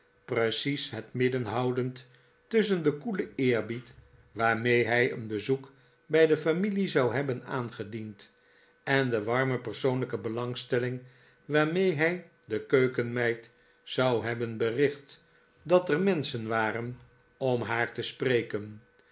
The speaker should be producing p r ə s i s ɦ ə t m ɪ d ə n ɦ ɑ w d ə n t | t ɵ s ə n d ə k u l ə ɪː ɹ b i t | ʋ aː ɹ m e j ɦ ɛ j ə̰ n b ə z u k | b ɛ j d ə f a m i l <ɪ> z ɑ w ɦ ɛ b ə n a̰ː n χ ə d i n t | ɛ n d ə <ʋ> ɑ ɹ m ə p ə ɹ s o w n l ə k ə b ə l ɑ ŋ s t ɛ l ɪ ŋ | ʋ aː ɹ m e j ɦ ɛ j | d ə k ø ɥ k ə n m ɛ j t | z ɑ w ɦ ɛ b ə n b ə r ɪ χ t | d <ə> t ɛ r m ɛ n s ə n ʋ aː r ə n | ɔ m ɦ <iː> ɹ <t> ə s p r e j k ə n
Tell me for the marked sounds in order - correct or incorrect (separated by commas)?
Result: incorrect, correct, incorrect, incorrect, correct